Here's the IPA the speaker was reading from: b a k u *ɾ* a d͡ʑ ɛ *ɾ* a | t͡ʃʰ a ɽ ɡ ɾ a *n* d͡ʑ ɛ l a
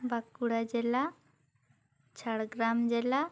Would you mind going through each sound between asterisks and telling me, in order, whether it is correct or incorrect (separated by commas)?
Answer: incorrect, incorrect, incorrect